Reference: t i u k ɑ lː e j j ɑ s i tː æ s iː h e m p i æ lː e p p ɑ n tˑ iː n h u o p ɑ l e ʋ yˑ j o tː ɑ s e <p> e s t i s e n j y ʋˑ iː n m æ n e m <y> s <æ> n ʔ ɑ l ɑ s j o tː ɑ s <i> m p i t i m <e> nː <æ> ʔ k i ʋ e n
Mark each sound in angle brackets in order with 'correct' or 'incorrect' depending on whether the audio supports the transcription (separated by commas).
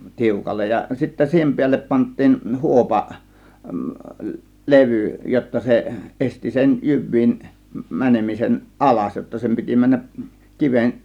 incorrect, incorrect, incorrect, incorrect, incorrect, correct